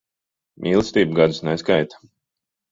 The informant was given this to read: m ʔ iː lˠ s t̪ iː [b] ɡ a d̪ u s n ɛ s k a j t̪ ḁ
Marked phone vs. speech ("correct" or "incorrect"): correct